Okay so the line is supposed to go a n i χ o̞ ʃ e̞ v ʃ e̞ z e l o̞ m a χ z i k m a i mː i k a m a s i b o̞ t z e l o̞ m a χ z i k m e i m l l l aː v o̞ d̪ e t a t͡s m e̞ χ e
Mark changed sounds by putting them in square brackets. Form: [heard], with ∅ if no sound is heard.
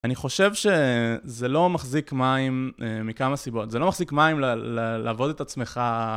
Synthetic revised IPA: a n i χ o̞ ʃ e̞ v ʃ e̞ z e l o̞ m a χ z i k m a i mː i k a m a s i b o̞ t z e l o̞ m a χ z i k m [a] i m l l l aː v o̞ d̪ e t a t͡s m e̞ χ [a]